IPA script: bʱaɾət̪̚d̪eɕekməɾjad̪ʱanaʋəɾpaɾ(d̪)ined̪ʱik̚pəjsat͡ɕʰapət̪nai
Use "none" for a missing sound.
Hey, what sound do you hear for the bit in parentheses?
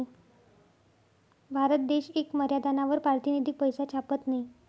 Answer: t̪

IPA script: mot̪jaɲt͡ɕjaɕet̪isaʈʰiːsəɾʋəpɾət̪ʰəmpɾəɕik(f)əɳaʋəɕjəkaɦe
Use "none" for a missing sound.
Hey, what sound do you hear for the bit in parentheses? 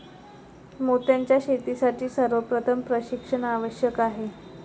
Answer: ʂ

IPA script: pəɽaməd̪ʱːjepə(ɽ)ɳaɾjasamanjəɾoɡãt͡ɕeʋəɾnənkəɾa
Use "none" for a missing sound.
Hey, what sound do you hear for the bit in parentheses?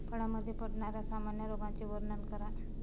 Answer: ɽ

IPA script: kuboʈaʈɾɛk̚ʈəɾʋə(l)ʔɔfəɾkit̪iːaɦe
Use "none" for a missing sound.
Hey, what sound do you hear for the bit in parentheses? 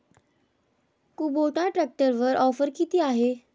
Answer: ɾ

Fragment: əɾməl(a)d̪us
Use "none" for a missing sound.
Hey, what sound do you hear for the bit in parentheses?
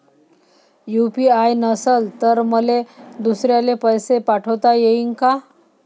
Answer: e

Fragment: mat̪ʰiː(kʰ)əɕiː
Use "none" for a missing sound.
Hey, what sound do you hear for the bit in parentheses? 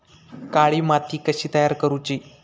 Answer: k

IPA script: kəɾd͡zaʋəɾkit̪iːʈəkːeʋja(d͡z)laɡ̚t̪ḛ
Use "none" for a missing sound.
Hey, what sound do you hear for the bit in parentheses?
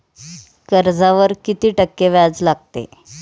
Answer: d͡z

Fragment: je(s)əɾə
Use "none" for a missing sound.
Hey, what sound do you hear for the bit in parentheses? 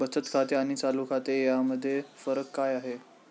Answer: f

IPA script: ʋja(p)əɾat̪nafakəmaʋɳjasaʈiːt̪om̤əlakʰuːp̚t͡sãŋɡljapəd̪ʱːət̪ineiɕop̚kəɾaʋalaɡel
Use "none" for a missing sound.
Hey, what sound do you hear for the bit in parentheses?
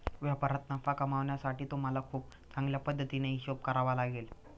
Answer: p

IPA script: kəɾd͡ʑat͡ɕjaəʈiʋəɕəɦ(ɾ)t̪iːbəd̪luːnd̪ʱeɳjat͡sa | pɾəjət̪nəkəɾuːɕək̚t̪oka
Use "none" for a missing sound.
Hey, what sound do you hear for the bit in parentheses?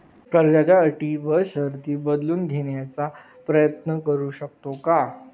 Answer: ɾ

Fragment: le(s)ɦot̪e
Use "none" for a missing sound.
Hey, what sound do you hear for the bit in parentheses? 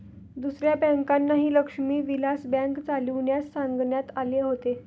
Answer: none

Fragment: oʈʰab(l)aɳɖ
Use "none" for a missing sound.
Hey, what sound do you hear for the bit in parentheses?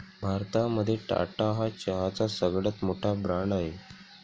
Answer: ɾ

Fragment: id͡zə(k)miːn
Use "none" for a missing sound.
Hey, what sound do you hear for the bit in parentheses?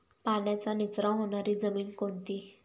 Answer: none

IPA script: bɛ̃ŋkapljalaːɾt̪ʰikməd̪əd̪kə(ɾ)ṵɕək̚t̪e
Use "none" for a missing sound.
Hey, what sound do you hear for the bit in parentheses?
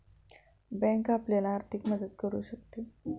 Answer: ɾ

